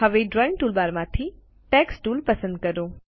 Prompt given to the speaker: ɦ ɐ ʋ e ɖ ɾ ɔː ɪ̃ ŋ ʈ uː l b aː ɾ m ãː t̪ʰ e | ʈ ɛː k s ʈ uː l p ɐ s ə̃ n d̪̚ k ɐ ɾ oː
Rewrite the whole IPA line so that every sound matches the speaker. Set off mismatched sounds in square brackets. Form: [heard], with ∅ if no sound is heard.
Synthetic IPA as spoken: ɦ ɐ ʋ e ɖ ɾ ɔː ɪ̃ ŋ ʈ uː l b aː ɾ m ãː t̪ʰ [i] | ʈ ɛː k s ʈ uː l p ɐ s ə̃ n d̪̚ k ɐ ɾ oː